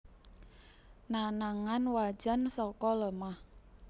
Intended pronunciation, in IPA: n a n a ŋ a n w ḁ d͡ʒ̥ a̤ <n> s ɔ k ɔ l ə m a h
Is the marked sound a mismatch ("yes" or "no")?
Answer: no